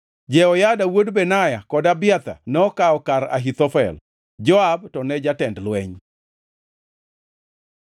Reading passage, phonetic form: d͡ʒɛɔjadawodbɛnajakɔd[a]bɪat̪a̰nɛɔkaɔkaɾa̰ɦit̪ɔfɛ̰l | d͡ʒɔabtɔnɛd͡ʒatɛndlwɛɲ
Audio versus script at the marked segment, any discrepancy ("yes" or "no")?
no